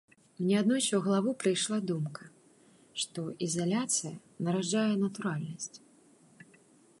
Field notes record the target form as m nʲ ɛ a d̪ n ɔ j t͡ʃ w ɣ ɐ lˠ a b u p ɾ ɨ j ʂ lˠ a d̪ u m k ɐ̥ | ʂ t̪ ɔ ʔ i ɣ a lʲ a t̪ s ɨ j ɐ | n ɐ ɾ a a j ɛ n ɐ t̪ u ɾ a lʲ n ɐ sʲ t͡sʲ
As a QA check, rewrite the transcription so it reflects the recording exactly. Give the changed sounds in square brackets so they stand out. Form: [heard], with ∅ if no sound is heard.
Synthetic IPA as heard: m nʲ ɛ a d̪ n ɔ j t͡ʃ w ɣ ɐ lˠ a [v] u p ɾ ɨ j ʂ lˠ a d̪ u m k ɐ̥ | ʂ t̪ ɔ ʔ i [z] a lʲ a t̪ s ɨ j ɐ | n ɐ ɾ a a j ɛ n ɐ t̪ u ɾ a lʲ n ɐ sʲ t͡sʲ